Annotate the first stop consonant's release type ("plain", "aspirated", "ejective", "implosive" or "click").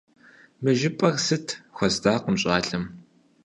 ejective